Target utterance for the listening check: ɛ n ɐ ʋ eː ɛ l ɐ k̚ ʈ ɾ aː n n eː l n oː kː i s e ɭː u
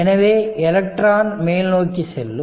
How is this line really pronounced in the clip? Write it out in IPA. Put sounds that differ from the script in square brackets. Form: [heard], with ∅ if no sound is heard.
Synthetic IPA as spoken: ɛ n ɐ ʋ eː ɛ l ɐ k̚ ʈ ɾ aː n [m] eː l n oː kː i s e [lː] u